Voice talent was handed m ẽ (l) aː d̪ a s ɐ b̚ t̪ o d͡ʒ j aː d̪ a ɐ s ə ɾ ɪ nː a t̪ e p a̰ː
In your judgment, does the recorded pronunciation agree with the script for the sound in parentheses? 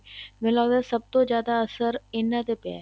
yes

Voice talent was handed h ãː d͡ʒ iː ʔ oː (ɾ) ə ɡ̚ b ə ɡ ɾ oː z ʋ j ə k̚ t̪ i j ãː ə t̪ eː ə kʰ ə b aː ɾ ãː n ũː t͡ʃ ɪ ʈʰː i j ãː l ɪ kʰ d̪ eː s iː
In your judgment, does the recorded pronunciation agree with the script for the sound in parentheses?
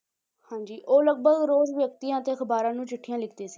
no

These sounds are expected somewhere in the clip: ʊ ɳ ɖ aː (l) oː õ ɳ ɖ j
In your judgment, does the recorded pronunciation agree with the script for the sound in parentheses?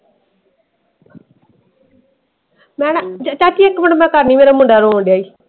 no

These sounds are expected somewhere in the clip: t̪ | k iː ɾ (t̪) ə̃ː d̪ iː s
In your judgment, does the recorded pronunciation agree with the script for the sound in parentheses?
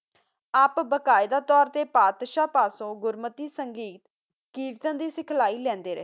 yes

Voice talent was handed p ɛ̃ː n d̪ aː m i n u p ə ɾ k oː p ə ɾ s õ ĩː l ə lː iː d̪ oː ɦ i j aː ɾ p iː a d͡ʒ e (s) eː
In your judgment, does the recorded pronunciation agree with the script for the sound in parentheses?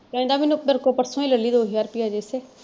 yes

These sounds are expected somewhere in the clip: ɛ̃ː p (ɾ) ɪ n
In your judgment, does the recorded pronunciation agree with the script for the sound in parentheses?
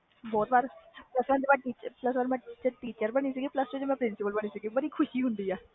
yes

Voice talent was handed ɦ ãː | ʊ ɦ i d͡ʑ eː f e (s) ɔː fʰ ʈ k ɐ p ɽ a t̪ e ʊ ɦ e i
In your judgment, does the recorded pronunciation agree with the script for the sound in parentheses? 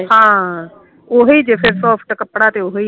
yes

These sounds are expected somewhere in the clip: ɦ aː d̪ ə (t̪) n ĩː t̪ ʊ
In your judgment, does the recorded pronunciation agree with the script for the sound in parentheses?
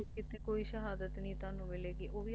yes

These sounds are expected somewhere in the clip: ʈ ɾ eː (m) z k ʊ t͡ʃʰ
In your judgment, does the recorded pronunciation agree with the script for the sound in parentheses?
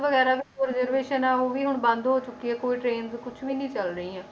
no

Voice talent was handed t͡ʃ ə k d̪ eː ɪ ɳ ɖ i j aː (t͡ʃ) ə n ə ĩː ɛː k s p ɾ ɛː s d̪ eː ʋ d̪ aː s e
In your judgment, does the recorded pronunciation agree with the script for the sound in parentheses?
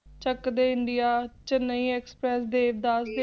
yes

